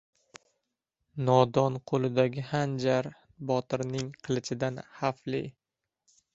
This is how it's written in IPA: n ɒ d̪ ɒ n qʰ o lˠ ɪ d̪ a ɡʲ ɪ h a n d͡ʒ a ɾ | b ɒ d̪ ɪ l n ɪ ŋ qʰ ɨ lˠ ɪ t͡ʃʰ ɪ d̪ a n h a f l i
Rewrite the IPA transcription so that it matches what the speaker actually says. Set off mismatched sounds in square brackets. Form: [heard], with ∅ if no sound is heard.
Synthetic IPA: n ɒ d̪ ɒ n qʰ o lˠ ɪ d̪ a ɡʲ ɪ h a n d͡ʒ a ɾ | b ɒ [t̪] ɪ [ɾ] n ɪ ŋ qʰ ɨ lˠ ɪ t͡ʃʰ ɪ d̪ a n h a f l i